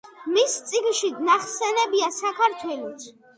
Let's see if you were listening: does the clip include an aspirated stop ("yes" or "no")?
yes